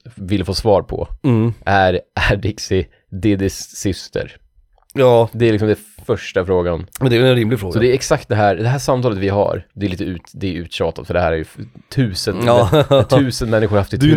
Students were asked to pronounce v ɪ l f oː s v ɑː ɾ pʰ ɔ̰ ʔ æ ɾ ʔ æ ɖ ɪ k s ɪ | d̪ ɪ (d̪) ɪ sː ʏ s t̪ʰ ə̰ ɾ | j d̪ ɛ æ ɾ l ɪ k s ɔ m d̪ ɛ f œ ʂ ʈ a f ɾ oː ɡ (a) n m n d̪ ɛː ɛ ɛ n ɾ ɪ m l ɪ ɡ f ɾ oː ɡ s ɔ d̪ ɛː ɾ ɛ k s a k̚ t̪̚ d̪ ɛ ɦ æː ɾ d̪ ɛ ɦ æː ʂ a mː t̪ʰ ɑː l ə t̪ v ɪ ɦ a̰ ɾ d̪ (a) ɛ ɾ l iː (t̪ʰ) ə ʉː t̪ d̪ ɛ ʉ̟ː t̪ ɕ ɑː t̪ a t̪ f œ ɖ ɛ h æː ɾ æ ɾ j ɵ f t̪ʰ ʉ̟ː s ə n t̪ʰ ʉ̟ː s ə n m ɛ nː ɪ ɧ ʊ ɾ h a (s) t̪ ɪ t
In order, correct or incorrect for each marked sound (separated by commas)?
correct, correct, incorrect, incorrect, incorrect